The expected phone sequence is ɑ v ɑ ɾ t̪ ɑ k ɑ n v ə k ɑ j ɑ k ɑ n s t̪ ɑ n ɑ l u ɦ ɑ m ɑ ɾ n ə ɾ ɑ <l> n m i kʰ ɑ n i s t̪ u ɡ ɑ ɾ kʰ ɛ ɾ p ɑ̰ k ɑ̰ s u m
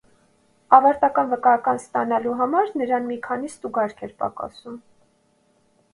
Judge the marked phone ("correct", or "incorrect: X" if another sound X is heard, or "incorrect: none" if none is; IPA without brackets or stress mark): incorrect: none